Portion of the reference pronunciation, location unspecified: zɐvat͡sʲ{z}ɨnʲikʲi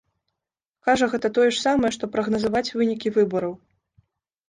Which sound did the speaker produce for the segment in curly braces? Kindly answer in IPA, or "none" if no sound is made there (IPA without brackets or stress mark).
v